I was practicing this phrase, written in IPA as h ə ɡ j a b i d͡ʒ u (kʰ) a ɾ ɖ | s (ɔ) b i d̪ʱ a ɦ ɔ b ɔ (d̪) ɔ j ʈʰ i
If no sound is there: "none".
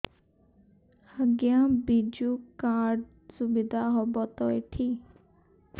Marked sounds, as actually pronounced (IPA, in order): k, u, t̪

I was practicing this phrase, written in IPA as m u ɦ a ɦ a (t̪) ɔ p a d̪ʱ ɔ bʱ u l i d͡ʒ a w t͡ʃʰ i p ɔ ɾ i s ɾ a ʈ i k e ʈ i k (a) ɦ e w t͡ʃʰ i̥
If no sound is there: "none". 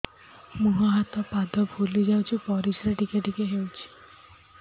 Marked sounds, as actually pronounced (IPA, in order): t̪, e

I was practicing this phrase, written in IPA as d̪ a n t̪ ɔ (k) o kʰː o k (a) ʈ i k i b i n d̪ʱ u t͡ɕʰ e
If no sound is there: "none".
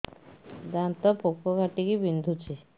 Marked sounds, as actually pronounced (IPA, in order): p, a

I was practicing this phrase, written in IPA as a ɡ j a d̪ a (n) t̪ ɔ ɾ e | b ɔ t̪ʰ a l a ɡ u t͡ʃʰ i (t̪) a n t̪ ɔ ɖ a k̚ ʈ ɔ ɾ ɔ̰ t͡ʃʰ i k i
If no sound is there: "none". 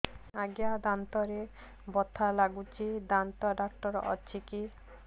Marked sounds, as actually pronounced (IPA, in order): n, d̪

